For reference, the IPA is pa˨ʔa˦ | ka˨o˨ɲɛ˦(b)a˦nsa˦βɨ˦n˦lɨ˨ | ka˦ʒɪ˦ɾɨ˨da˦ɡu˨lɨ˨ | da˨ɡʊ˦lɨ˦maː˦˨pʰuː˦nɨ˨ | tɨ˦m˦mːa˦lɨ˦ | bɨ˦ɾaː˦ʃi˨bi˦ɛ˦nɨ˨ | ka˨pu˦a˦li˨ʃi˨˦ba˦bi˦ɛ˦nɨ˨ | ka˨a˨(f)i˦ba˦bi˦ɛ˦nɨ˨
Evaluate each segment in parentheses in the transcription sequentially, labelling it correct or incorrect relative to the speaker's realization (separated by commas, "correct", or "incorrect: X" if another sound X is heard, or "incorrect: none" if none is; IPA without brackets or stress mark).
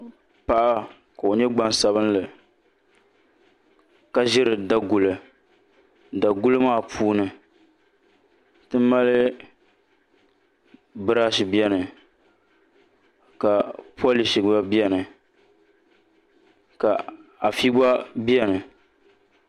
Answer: incorrect: ɡ͡b, correct